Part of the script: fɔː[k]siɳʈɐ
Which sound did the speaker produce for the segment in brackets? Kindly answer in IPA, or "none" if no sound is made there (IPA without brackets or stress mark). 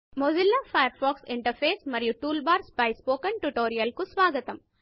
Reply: k